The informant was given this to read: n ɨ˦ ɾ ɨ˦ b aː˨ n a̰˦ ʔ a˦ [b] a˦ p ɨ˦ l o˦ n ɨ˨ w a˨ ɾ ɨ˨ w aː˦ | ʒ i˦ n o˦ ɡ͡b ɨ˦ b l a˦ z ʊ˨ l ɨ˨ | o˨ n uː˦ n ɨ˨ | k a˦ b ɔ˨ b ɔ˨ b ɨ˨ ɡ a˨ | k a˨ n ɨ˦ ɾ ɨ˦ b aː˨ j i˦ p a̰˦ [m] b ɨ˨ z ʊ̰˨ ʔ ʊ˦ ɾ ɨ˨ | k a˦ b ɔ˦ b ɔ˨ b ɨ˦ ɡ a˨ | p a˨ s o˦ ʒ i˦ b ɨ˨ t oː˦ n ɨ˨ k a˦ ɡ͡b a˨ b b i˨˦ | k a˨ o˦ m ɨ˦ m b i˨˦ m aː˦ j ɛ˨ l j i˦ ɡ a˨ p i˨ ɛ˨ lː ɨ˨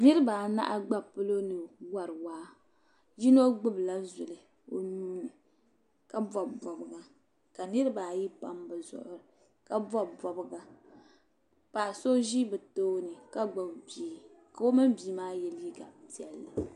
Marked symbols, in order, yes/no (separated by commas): no, yes